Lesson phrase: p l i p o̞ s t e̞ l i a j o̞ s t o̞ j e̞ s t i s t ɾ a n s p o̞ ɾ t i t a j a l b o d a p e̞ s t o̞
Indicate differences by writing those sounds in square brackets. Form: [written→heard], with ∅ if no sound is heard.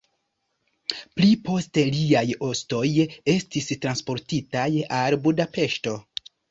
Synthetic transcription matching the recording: p l i p o̞ s t e̞ l i a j o̞ s t o̞ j e̞ s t i s t ɾ a n s p o̞ ɾ t i t a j a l b [o→u] d a p e̞ [s→ʃ] t o̞